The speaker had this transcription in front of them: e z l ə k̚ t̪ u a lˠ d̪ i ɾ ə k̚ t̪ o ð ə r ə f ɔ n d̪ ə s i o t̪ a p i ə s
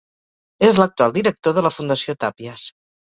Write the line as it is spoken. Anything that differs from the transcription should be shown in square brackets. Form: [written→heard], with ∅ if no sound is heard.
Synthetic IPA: e z l ə k̚ t̪ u a lˠ d̪ i ɾ ə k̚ t̪ o ð ə [r→l] ə f [ɔ→u] n d̪ ə s i o t̪ a p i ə s